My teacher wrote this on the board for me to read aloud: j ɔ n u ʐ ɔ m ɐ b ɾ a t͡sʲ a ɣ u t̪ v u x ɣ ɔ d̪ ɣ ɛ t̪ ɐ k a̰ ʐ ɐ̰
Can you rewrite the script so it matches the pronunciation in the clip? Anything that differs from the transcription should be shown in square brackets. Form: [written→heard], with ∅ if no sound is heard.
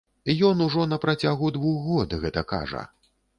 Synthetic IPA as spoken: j ɔ n u ʐ ɔ [m→n] ɐ [b→p] ɾ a t͡sʲ a ɣ u [t̪→d̪] v u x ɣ ɔ d̪ ɣ ɛ t̪ ɐ k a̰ ʐ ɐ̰

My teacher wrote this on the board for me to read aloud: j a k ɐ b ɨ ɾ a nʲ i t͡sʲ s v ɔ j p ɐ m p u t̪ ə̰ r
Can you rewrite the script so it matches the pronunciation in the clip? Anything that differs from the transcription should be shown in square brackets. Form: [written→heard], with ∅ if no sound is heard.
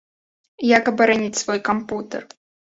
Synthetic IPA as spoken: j a k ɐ b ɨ ɾ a nʲ i t͡sʲ s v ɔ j [p→k] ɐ m p u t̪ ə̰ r

